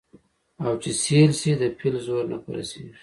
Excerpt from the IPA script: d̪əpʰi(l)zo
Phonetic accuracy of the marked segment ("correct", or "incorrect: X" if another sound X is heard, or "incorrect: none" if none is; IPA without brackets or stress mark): correct